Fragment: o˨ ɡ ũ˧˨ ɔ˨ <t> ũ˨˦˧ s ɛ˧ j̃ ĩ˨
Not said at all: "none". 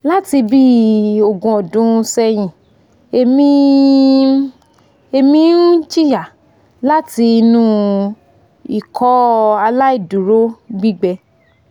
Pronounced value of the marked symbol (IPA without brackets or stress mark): d